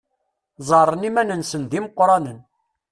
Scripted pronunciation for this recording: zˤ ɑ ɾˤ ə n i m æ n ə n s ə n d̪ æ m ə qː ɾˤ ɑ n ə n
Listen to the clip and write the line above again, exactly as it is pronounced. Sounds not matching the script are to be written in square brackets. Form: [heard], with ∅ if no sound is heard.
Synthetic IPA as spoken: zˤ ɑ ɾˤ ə n i m æ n ə n s ə n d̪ [i] m ə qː ɾˤ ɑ n ə n